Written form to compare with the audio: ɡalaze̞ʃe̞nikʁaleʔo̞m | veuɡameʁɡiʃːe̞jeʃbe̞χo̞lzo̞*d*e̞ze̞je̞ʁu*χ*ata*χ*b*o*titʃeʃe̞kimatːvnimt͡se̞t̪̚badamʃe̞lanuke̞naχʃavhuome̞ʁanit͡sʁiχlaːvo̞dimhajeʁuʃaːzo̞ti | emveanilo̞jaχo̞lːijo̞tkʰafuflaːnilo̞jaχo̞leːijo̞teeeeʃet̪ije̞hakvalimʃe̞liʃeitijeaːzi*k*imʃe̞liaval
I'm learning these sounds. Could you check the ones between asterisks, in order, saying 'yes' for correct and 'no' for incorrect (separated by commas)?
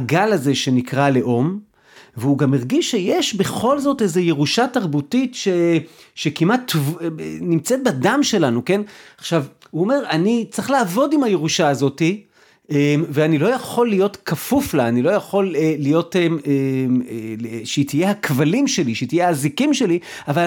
no, no, no, no, yes